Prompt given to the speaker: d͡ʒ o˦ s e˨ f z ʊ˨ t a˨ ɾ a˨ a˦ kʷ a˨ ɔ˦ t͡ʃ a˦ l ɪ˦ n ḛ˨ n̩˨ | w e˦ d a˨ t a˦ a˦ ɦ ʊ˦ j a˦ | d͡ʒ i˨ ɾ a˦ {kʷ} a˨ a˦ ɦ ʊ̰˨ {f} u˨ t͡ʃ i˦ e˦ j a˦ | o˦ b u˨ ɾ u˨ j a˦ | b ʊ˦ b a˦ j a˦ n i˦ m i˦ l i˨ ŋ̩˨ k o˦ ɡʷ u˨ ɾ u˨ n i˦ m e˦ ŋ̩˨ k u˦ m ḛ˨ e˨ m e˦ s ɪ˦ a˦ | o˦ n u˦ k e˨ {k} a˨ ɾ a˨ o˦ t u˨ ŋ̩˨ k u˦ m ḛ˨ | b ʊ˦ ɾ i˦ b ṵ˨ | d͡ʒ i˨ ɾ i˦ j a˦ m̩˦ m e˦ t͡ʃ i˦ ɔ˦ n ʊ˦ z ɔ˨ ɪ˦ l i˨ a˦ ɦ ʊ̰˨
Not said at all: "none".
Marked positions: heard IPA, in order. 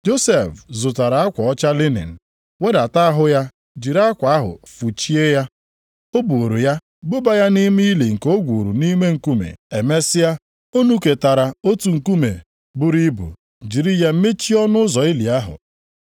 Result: kʷ, f, t

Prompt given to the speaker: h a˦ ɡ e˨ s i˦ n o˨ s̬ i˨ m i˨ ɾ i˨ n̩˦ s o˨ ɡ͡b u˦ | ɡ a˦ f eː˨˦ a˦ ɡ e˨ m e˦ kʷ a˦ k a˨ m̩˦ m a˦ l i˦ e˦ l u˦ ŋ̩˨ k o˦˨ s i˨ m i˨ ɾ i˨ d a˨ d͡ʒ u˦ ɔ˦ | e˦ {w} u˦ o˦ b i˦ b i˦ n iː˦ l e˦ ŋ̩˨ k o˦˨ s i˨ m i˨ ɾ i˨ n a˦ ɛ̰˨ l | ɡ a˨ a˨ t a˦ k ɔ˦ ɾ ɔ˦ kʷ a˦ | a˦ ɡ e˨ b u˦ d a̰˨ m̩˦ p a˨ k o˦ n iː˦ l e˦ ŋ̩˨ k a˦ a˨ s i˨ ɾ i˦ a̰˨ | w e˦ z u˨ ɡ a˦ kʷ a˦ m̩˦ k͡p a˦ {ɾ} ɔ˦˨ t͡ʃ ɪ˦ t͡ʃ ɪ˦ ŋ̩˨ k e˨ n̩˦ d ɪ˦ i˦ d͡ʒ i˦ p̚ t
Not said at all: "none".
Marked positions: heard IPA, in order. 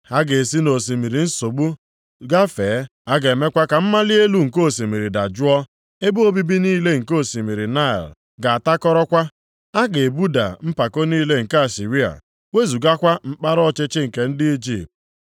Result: b, ɾ

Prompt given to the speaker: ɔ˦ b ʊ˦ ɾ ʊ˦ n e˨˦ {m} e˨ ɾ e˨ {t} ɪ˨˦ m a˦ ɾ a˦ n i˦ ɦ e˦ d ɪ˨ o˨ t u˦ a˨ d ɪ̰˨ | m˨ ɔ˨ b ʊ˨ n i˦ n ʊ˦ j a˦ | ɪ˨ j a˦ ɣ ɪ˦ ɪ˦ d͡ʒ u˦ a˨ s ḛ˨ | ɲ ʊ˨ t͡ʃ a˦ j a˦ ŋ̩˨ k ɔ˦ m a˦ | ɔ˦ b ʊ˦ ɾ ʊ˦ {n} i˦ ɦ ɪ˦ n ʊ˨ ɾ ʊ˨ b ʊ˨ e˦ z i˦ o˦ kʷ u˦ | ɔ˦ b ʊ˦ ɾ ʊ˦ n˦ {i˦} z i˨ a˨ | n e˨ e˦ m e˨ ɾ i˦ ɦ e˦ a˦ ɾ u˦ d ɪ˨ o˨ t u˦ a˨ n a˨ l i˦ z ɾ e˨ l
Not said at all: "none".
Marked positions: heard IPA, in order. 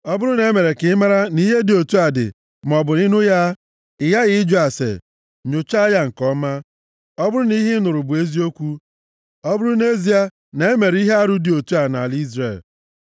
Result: m, k, n, e˦

